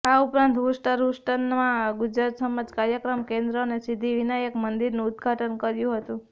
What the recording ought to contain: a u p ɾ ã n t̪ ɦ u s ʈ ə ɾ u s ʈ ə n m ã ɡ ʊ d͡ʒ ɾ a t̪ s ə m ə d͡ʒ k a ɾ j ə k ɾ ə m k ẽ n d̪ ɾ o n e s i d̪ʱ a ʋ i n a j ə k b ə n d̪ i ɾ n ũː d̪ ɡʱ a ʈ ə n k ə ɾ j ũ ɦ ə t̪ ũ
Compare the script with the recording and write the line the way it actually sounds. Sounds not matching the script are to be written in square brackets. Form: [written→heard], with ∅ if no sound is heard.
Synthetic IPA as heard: a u p ɾ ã n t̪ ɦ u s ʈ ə ɾ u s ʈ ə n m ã ɡ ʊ d͡ʒ ɾ a t̪ s ə m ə d͡ʒ k a ɾ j ə k ɾ ə m k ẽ n d̪ ɾ o n e s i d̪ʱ [a→i] ʋ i n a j ə k [b→m] ə n d̪ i ɾ n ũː d̪ ɡʱ a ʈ ə n k ə ɾ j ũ ɦ ə t̪ ũ